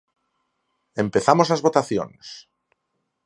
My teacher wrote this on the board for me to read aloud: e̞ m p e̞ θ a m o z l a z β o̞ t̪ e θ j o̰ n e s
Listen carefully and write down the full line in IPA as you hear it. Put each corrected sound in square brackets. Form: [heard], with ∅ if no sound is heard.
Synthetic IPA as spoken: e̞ m p e̞ θ a m o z l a z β o̞ t̪ [a] θ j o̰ n e s